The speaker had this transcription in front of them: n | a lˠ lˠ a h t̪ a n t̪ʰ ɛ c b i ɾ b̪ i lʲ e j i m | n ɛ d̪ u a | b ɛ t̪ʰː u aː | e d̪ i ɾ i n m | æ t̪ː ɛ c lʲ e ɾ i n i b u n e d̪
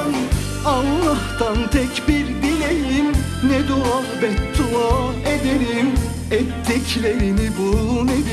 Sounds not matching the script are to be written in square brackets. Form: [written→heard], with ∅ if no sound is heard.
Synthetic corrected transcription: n | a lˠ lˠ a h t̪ a n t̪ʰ ɛ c b i ɾ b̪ i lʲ e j i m | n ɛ d̪ u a | b ɛ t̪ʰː u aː | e d̪ [i→e] ɾ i [n→∅] m | [æ→ɛ] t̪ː ɛ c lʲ e ɾ i n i b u n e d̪